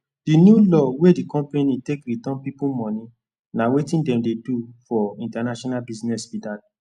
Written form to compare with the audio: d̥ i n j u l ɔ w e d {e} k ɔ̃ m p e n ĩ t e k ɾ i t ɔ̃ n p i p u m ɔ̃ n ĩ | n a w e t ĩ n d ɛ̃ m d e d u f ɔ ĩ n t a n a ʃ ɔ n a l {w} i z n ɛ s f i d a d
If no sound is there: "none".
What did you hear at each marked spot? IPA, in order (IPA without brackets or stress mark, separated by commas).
i, b